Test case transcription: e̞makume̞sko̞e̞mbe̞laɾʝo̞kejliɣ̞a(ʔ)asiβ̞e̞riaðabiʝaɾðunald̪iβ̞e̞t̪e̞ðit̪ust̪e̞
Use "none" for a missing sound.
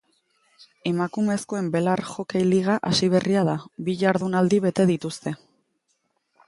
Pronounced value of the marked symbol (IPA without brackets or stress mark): ʔ